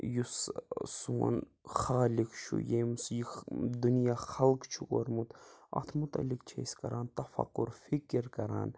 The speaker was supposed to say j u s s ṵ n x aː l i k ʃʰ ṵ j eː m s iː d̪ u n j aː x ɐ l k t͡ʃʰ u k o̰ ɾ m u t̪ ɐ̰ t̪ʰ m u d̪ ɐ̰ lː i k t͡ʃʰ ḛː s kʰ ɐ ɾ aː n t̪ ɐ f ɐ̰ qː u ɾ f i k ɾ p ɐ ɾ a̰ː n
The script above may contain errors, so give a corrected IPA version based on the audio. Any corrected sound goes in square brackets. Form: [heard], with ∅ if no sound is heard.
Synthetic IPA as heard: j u s s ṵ n x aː l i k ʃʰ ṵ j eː m s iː d̪ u n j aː x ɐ l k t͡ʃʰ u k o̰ ɾ m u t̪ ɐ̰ t̪ʰ m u [t̪] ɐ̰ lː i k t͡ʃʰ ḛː s [k] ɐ ɾ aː n t̪ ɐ f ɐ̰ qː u ɾ f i k ɾ [k] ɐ ɾ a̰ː n